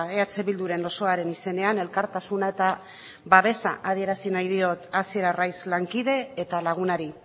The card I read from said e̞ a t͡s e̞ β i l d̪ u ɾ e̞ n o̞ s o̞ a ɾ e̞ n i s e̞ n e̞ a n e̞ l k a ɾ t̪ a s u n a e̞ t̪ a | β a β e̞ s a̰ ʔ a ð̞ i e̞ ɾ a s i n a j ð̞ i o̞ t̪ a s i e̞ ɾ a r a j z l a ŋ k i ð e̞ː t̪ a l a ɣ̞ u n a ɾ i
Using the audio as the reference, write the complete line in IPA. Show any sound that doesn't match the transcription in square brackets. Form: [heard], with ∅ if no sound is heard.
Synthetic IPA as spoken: e̞ a t͡s e̞ β i l d̪ u ɾ e̞ n o̞ s o̞ a ɾ e̞ n i s e̞ n e̞ a n e̞ l k a ɾ t̪ a s u n a e̞ t̪ a | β a β e̞ s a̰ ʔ a ð̞ i e̞ ɾ a s i n a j ð̞ i o̞ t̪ a s i e̞ ɾ a r a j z l a ŋ k i ð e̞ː t̪ a l a ɣ̞ u n a ɾ i